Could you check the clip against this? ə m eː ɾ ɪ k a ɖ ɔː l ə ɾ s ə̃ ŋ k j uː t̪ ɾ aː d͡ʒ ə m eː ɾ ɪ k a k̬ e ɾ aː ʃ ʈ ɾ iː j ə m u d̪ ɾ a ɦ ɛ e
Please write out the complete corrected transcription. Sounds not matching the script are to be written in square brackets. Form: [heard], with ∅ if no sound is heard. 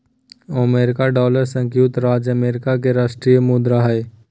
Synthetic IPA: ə m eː ɾ ɪ k a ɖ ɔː l ə ɾ s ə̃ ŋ k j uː t̪ ɾ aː d͡ʒ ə m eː ɾ ɪ k a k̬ e ɾ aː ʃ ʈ ɾ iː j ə m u d̪ ɾ a ɦ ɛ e